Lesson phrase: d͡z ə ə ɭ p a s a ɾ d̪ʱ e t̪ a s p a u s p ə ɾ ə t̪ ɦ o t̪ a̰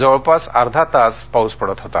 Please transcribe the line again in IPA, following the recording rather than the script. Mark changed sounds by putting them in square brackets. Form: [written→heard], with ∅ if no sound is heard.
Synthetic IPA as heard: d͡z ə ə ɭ p a s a ɾ d̪ʱ [e→a] t̪ a s p a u s p ə [ɾ→ɽ] ə t̪ ɦ o t̪ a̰